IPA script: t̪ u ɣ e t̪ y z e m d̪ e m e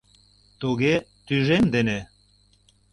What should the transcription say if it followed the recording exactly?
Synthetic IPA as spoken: t̪ u ɣ e t̪ y ʒ e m d̪ e n e